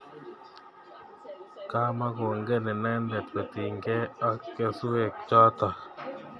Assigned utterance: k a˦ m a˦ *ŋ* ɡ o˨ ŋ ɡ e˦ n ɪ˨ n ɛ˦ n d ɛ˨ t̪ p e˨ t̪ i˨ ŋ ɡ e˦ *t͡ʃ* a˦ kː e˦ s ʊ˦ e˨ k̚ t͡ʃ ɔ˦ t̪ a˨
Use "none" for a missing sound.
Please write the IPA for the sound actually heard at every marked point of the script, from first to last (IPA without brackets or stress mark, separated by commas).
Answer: none, none